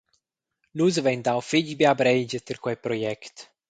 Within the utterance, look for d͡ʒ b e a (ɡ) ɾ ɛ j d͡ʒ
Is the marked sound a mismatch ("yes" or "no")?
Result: yes